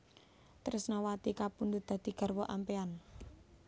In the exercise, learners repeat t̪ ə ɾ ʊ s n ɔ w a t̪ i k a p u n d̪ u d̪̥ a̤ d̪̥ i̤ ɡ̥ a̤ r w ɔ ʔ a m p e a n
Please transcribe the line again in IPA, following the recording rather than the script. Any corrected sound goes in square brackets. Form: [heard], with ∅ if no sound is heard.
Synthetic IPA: t̪ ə ɾ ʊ s n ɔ w a t̪ i k a p u n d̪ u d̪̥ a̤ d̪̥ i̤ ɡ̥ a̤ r w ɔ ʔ a m p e a n